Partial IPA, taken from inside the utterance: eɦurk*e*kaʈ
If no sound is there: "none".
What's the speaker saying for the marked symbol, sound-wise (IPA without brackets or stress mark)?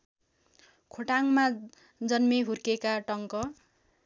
e